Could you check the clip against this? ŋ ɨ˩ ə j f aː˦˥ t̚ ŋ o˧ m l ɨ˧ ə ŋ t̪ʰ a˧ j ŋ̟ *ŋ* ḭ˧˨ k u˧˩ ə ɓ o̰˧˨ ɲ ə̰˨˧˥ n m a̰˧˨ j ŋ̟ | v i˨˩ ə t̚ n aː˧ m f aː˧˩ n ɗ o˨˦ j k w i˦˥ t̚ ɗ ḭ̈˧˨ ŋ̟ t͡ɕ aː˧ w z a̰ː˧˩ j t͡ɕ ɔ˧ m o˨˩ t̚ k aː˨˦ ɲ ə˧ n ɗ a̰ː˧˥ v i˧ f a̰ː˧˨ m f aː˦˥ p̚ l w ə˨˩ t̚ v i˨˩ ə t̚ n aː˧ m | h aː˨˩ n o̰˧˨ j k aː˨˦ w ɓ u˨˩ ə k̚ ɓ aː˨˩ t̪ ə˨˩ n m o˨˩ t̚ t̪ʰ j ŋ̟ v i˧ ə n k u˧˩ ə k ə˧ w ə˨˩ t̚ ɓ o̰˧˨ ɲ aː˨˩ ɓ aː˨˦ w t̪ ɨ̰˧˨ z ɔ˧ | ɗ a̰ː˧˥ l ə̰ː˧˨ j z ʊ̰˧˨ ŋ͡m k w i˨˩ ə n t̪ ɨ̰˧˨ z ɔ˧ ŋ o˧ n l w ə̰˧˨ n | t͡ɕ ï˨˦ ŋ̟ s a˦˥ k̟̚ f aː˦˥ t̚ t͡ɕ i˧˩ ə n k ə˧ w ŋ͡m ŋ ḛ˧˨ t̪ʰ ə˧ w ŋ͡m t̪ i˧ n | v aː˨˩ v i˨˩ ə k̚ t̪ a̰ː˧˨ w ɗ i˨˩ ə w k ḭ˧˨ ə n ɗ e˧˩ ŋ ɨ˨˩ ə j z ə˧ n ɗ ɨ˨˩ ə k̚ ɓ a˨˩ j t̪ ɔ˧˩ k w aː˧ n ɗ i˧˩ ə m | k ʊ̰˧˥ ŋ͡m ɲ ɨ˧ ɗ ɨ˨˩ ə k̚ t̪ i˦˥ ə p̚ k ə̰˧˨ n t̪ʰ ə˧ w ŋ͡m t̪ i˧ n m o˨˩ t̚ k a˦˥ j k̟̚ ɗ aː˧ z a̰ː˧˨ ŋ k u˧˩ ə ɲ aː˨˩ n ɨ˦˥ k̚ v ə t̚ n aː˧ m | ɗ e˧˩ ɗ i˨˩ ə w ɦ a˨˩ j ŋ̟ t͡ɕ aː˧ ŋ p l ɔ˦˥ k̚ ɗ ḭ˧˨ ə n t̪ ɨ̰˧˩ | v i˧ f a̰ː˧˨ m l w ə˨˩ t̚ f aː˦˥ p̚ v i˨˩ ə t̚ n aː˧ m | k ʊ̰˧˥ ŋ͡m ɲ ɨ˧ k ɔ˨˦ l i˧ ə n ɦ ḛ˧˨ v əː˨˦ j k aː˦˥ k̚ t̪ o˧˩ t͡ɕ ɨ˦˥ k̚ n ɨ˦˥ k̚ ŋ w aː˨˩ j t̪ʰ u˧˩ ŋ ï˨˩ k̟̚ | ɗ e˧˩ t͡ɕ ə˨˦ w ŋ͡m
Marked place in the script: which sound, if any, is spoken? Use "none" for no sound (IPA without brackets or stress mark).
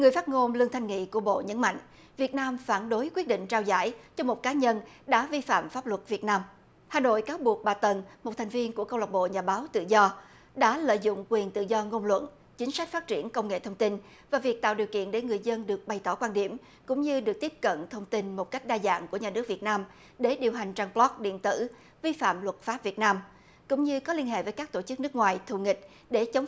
ŋ